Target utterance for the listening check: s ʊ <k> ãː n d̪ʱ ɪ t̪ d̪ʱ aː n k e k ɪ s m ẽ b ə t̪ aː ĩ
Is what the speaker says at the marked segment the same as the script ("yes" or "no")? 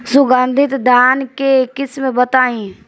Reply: no